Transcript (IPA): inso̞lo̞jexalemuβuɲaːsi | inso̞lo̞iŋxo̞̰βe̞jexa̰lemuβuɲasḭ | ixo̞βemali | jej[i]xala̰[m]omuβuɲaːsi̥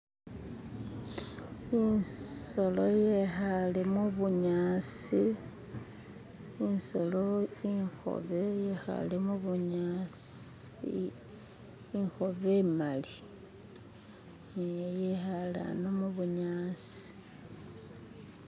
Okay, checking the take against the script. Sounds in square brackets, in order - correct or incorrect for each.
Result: incorrect, incorrect

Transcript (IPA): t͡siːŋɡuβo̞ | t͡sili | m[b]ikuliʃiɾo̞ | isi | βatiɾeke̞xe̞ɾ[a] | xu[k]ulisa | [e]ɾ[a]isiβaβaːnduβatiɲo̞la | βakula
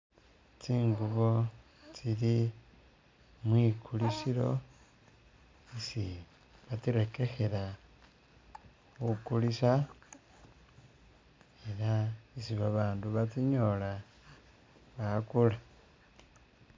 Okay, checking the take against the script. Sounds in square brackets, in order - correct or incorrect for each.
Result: incorrect, correct, correct, correct, correct

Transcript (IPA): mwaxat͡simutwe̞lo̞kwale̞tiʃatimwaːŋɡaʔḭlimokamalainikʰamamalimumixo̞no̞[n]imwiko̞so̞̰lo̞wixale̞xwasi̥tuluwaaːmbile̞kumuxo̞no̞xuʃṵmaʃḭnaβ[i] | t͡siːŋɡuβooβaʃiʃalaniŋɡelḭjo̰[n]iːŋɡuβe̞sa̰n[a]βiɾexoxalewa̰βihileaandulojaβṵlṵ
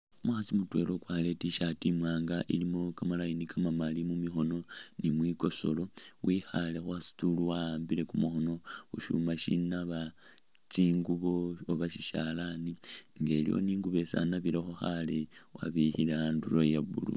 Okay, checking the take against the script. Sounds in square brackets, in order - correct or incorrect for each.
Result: correct, incorrect, correct, correct

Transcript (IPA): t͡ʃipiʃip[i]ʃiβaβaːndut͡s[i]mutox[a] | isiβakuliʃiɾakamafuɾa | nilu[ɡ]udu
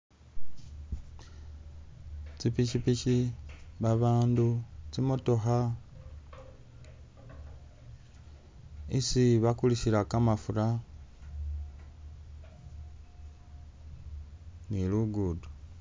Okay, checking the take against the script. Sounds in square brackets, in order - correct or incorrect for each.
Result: correct, correct, correct, correct

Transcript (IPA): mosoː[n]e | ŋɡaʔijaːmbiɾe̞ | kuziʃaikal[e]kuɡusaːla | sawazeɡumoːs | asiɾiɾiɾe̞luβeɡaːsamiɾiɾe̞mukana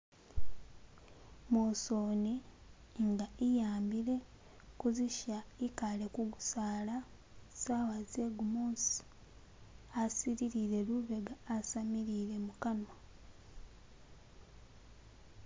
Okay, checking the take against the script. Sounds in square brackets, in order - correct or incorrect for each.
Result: correct, correct

